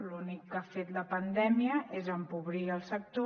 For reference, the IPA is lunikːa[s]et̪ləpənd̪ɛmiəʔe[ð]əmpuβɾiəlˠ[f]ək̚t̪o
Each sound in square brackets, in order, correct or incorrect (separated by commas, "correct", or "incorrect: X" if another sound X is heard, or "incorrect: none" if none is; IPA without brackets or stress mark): incorrect: f, incorrect: z, incorrect: s